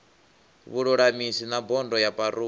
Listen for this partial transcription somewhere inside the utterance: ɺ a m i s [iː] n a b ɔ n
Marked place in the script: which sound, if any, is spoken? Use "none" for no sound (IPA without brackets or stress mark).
i